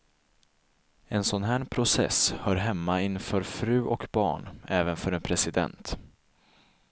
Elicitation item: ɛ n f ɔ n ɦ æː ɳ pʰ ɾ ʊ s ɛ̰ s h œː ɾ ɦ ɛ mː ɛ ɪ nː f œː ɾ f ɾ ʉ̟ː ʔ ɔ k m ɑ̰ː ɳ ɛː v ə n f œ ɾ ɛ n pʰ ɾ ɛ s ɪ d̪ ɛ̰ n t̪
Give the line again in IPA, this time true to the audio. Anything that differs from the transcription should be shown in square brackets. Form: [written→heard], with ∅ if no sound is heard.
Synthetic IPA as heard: ɛ n [f→s] ɔ n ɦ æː ɳ pʰ ɾ ʊ s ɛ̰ s h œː ɾ ɦ ɛ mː [ɛ→a] ɪ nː f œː ɾ f ɾ ʉ̟ː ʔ ɔ k [m→b] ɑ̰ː ɳ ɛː v ə n f œ ɾ ɛ n pʰ ɾ ɛ s ɪ d̪ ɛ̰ n t̪

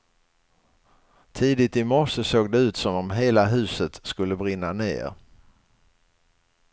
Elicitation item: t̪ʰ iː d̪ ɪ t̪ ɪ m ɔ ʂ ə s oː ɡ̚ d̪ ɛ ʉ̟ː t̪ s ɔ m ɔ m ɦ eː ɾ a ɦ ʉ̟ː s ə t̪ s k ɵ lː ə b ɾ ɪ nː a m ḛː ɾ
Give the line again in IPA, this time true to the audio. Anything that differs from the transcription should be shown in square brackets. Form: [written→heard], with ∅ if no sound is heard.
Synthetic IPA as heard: t̪ʰ iː d̪ ɪ t̪ ɪ m ɔ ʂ ə s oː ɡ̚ d̪ ɛ ʉ̟ː t̪ s ɔ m ɔ m ɦ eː [ɾ→l] a ɦ ʉ̟ː s ə t̪ s k ɵ lː ə b ɾ ɪ nː a [m→n] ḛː ɾ

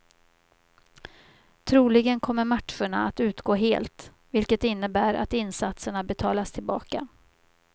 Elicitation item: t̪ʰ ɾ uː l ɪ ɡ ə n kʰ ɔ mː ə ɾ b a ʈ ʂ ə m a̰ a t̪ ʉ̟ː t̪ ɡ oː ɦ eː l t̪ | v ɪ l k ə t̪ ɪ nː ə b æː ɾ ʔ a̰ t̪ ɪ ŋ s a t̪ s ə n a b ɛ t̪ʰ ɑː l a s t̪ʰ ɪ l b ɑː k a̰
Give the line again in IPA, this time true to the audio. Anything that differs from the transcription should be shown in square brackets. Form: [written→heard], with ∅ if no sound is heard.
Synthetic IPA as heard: t̪ʰ ɾ uː l ɪ ɡ ə n kʰ ɔ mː ə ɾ [b→m] a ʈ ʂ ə [m→ɳ] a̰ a t̪ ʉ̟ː t̪ ɡ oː ɦ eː l t̪ | v ɪ l k ə t̪ ɪ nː ə b æː ɾ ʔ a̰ t̪ ɪ [ŋ→n] s a t̪ s ə [n→ɳ] a b ɛ t̪ʰ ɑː l a s t̪ʰ ɪ l b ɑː k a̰

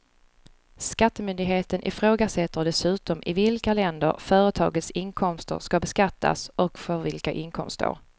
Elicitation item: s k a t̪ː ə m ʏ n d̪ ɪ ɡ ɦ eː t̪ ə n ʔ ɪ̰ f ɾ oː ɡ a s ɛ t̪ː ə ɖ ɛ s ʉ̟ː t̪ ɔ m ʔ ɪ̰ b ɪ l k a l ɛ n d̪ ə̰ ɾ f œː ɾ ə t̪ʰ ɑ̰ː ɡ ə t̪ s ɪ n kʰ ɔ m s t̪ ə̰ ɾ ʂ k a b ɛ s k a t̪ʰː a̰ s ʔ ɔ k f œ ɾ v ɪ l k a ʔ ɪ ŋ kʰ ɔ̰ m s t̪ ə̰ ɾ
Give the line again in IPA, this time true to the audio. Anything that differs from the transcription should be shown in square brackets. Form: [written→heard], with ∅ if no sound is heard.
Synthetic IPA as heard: s k a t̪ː ə m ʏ n d̪ ɪ ɡ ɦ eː t̪ ə n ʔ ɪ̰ f ɾ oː ɡ a s ɛ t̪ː ə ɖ ɛ s ʉ̟ː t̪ ɔ m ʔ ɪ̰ [b→v] ɪ l k a l ɛ n d̪ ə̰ ɾ f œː ɾ ə t̪ʰ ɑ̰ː ɡ ə t̪ s ɪ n kʰ ɔ m s t̪ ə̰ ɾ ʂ k a b ɛ s k a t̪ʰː a̰ s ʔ ɔ k f œ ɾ v ɪ l k a ʔ ɪ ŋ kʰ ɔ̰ m s t̪ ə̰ ɾ

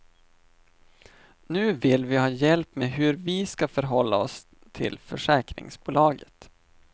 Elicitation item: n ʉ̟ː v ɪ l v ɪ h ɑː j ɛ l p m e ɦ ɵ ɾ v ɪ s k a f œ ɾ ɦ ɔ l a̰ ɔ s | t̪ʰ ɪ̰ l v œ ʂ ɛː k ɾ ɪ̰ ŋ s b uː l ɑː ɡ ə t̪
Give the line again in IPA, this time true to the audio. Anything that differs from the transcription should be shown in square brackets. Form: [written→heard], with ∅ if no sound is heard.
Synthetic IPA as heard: n ʉ̟ː v ɪ l v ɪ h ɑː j ɛ l p m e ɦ ɵ ɾ v ɪ s k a f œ ɾ ɦ ɔ [l→lː] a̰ ɔ s | t̪ʰ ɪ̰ l [v→f] œ ʂ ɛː k ɾ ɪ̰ ŋ s b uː l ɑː ɡ ə t̪

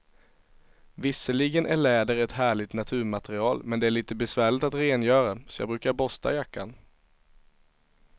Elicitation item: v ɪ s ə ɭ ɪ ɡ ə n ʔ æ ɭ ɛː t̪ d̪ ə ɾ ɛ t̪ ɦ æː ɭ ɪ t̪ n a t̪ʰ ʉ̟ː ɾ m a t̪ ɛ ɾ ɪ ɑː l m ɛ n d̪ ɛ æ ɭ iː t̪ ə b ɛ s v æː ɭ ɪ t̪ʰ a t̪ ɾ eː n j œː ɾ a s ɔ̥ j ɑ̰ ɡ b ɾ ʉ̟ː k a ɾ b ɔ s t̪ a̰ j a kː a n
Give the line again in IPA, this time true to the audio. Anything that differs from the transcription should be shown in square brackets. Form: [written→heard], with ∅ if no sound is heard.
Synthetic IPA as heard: v ɪ s ə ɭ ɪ ɡ ə n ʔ æ ɭ ɛː [t̪→∅] d̪ ə ɾ ɛ t̪ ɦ æː ɭ ɪ t̪ n a t̪ʰ ʉ̟ː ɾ m a t̪ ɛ ɾ ɪ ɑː l m ɛ n d̪ ɛ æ ɭ iː t̪ ə b ɛ s v æː ɭ ɪ [t̪ʰ→t̪] a t̪ ɾ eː n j œː ɾ a s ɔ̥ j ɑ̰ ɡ b ɾ ʉ̟ː k a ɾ b ɔ s t̪ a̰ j a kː a n

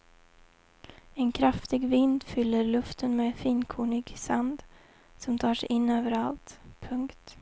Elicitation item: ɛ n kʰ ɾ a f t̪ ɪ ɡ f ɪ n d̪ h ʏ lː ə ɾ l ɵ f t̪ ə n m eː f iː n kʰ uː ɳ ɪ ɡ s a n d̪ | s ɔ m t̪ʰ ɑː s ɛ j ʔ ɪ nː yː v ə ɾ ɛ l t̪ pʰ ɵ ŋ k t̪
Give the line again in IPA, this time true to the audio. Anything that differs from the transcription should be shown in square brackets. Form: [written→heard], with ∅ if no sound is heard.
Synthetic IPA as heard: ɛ n kʰ ɾ a f t̪ ɪ ɡ [f→v] ɪ n d̪ [h→f] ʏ lː ə ɾ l ɵ f t̪ ə n m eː f iː n kʰ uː ɳ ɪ ɡ s a n d̪ | s ɔ m t̪ʰ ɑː [s→ʂ] ɛ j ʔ ɪ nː [yː→øː] v ə ɾ [ɛ→a] l t̪ pʰ ɵ ŋ k t̪

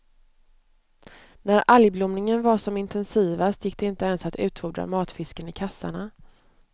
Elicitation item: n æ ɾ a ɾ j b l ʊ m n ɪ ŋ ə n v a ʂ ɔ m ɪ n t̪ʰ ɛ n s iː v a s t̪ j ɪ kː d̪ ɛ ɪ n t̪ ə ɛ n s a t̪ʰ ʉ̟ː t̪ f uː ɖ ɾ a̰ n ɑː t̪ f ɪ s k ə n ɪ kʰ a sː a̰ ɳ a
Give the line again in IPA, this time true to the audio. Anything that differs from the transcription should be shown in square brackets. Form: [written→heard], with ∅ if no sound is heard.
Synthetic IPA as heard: n æ ɾ a [ɾ→l] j b l ʊ m n ɪ ŋ ə n v a ʂ ɔ m ɪ n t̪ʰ ɛ n s iː v a s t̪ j ɪ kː d̪ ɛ ɪ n t̪ ə ɛ n s a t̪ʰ ʉ̟ː t̪ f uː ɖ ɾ a̰ [n→m] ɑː t̪ f ɪ s k ə n ɪ kʰ a sː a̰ ɳ a

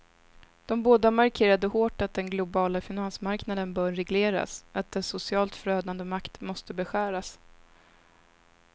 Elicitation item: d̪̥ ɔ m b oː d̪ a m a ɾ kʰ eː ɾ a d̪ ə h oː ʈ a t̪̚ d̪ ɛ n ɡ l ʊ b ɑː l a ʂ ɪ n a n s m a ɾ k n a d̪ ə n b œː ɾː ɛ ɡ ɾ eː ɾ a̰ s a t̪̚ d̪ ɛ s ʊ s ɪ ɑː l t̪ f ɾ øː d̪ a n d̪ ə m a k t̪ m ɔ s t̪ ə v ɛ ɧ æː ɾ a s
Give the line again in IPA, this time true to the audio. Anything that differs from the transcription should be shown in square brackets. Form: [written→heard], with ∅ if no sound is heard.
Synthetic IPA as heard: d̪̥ ɔ m b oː d̪ a m a ɾ kʰ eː ɾ a d̪ ə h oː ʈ a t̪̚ d̪ ɛ n ɡ l ʊ b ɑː l a [ʂ→f] ɪ n a n s m a ɾ k n a d̪ ə n b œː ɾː ɛ ɡ [ɾ→l] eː ɾ a̰ s a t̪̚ d̪ ɛ s ʊ s ɪ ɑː l t̪ f ɾ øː d̪ a n d̪ ə m a k t̪ m ɔ s t̪ ə [v→b] ɛ ɧ æː ɾ a s

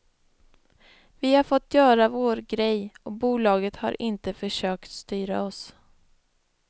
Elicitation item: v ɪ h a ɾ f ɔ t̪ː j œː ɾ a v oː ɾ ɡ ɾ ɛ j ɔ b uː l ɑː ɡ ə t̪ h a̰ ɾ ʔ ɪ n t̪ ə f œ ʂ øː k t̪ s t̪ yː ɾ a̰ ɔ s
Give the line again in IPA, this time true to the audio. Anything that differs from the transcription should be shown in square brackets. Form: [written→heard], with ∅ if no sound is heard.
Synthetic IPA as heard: v ɪ h a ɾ f ɔ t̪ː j œː ɾ a v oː ɾ ɡ ɾ ɛ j ɔ b uː l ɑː ɡ ə t̪ h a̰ ɾ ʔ ɪ n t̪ ə f œ ʂ øː k t̪ s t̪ yː ɾ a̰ ɔ s

